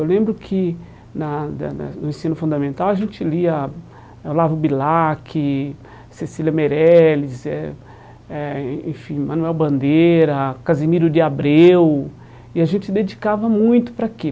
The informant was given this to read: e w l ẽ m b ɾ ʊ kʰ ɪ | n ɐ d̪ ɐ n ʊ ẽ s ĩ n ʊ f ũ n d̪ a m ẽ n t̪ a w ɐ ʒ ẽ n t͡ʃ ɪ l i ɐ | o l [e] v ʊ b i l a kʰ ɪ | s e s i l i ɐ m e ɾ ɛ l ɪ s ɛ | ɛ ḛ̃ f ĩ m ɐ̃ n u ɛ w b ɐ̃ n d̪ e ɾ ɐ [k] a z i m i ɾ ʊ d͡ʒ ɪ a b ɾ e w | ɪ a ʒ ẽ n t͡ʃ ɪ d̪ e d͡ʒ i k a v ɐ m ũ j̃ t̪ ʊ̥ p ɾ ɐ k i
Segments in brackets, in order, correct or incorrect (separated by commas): incorrect, correct